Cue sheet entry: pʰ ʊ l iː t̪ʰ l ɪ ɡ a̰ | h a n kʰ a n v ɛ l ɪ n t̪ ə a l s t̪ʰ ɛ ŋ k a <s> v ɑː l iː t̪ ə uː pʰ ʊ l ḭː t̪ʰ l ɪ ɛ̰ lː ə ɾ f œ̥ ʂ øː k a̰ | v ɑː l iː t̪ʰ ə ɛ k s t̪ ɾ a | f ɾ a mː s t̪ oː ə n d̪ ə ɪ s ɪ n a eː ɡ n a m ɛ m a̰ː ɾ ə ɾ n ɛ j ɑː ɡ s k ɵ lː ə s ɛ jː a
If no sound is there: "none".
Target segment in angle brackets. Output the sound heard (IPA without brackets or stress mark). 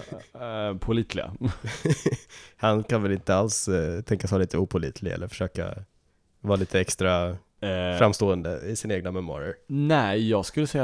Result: s